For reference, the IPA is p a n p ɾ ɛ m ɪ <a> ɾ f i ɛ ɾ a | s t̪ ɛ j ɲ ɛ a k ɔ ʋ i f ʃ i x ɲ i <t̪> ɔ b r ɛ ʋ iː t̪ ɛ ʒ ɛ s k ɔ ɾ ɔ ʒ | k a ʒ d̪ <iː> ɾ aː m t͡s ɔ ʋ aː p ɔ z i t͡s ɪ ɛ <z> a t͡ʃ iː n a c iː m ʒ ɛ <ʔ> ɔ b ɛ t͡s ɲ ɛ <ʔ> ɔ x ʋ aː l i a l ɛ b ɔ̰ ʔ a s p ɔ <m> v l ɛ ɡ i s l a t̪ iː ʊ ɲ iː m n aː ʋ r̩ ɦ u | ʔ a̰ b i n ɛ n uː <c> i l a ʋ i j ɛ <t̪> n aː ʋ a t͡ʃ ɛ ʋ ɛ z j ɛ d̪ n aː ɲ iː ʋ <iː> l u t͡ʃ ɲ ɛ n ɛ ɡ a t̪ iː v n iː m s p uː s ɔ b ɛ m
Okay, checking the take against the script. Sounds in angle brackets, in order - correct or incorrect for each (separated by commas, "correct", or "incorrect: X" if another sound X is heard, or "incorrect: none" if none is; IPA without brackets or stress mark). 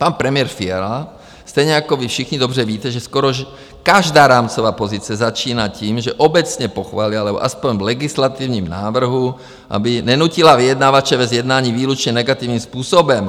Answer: incorrect: ɛ, incorrect: d̪, incorrect: aː, correct, correct, incorrect: p, incorrect: ɲ, correct, incorrect: d̪, correct